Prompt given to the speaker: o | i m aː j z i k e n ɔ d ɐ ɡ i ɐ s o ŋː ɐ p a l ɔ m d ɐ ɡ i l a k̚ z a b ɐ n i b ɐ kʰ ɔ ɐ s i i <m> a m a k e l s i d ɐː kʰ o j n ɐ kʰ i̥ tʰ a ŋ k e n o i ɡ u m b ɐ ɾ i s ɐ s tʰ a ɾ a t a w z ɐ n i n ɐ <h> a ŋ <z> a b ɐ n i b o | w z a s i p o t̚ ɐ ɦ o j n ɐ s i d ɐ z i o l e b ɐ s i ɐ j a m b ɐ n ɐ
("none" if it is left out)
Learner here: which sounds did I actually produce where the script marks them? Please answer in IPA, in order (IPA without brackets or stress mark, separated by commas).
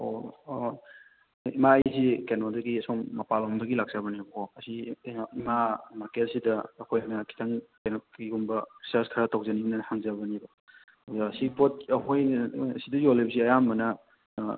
m, h, z